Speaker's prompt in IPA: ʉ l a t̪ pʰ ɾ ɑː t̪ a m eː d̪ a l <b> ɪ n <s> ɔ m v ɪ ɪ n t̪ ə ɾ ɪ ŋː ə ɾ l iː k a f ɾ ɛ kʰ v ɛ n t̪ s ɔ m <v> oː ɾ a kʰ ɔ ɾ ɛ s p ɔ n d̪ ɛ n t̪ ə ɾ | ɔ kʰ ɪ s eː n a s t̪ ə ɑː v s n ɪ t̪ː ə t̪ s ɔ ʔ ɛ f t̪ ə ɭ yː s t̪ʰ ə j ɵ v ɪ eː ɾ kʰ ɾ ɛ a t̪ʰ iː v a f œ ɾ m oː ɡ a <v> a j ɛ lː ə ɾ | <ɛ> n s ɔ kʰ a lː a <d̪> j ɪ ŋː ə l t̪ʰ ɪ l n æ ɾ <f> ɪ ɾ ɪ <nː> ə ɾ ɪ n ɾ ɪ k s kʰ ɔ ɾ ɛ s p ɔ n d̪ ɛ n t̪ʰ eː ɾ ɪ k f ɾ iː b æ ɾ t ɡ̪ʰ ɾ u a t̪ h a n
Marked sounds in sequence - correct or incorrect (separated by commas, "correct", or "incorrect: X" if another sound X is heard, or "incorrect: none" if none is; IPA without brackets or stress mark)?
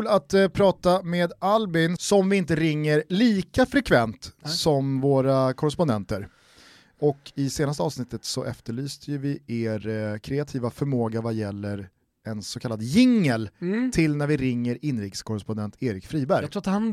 correct, correct, correct, correct, correct, correct, incorrect: v, incorrect: ŋː